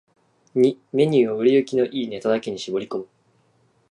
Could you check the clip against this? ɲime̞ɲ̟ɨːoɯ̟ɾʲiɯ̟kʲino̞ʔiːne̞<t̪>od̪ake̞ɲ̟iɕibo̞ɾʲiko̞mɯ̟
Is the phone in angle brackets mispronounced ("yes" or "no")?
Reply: no